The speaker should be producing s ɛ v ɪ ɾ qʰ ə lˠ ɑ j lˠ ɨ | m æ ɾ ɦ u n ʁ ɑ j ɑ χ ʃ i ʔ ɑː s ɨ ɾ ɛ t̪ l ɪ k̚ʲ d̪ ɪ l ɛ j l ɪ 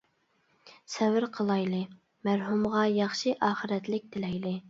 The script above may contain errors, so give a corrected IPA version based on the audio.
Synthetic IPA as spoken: s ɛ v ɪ ɾ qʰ ə lˠ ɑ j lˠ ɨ | m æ ɾ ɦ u m ʁ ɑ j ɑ χ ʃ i ʔ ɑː χ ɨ ɾ ɛ t̪ l ɪ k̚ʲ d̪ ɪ l ɛ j l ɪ